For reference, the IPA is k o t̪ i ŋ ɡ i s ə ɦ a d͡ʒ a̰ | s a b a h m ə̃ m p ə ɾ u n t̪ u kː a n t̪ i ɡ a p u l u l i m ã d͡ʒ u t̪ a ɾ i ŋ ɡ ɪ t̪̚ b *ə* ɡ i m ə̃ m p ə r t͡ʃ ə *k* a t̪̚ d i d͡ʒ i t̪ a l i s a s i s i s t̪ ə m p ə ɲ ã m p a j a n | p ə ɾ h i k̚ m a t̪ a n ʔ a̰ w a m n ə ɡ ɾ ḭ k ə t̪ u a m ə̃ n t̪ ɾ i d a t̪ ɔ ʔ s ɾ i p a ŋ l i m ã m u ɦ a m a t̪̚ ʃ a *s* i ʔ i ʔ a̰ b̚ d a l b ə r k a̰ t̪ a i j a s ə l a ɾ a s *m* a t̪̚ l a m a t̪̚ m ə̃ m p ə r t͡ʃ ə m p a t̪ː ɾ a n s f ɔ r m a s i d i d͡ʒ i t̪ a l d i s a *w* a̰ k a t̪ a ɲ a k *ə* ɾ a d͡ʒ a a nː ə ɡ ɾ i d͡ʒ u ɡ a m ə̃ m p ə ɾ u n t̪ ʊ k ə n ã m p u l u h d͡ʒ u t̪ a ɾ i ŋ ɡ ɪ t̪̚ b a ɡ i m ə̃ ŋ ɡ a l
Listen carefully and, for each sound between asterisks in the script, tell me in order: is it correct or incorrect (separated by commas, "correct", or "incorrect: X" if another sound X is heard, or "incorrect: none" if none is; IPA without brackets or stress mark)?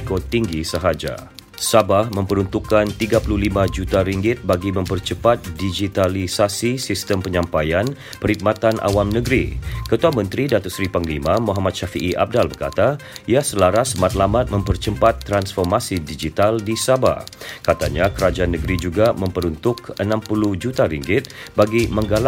incorrect: a, incorrect: p, incorrect: f, correct, incorrect: b, correct